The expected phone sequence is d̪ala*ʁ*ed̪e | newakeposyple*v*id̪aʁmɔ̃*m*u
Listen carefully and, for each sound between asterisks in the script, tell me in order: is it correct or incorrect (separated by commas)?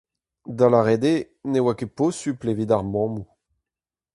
correct, correct, correct